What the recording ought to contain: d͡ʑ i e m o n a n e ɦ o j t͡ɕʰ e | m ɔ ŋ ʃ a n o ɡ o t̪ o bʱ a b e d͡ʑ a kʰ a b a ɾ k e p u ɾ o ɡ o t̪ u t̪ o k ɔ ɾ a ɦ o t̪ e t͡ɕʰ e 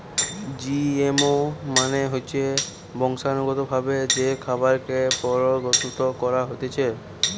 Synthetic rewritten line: d͡ʑ i e m o m a n e ɦ o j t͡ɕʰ e | b ɔ ŋ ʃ a n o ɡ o t̪ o bʱ a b e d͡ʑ e kʰ a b a ɾ k e p ɔ ɾ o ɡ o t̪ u t̪ o k ɔ ɾ a ɦ o t̪ e t͡ɕʰ e

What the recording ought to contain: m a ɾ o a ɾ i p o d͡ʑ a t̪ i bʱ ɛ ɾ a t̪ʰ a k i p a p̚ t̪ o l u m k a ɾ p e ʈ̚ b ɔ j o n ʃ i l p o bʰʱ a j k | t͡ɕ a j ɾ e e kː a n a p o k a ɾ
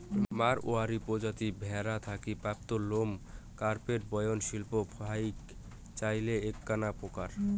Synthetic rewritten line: m a ɾ o a ɾ i p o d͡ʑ a t̪ i bʱ ɛ ɾ a t̪ʰ a k i p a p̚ t̪ o l o m k a ɾ p e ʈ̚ b ɔ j o n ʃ i l p o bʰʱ a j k | t͡ɕ a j l e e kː a n a p o k a ɾ

